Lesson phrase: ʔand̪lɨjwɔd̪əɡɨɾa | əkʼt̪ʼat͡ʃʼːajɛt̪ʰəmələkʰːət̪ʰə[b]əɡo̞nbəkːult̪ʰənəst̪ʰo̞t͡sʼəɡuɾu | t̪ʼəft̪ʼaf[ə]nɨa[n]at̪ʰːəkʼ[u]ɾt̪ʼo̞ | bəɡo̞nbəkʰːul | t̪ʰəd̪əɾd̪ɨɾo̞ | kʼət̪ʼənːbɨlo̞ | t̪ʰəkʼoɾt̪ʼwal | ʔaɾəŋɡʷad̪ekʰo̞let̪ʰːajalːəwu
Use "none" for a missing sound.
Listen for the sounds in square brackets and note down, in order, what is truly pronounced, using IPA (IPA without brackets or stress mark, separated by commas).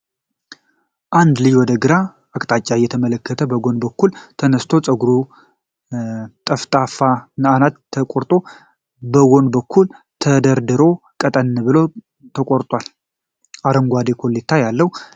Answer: b, a, n, o